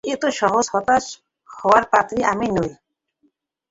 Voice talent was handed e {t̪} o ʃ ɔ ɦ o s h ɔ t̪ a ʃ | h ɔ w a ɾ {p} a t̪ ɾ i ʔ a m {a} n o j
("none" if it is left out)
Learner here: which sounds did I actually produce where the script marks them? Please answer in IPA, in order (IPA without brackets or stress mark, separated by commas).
t̪, p, i